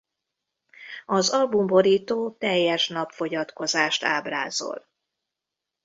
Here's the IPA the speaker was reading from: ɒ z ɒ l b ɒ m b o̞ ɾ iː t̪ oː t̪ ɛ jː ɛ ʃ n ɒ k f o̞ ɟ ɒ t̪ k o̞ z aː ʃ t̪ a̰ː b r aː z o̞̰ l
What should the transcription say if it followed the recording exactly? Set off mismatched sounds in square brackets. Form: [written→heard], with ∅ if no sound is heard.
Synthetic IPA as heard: ɒ z ɒ l b [ɒ→u] m b o̞ ɾ iː t̪ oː t̪ ɛ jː ɛ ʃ n ɒ [k→p] f o̞ ɟ ɒ t̪ k o̞ z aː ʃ t̪ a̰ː b r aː z o̞̰ l